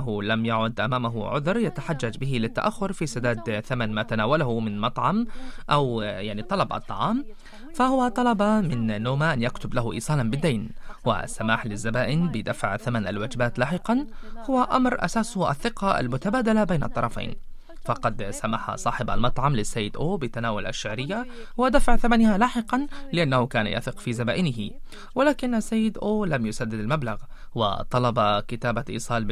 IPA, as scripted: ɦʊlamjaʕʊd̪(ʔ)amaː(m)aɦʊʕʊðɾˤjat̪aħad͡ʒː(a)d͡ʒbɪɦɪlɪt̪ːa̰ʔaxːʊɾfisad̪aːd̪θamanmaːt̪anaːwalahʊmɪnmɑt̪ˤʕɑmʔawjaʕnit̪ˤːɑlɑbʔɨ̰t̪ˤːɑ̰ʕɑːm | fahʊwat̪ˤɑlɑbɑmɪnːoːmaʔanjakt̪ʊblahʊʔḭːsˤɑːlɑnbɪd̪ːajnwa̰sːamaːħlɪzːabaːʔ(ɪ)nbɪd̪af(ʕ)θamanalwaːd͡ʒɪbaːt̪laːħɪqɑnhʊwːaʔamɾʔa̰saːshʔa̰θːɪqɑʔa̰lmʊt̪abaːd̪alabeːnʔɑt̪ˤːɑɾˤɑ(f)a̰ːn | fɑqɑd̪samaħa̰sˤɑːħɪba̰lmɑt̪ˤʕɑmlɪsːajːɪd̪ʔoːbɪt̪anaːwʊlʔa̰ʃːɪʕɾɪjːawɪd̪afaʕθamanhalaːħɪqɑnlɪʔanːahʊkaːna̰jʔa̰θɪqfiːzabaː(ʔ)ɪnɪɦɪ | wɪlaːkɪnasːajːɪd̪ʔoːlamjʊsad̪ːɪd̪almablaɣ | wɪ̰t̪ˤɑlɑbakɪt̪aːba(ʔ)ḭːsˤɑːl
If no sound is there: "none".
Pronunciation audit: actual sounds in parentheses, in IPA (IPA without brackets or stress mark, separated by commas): ʔ, m, a, ɪ, ʕ, f, ʔ, ʔ